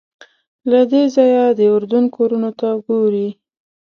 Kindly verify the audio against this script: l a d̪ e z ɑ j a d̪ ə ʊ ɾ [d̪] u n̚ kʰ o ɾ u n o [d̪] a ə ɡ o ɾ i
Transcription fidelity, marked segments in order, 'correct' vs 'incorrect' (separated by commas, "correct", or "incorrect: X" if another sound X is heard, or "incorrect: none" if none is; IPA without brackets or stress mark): correct, incorrect: t̪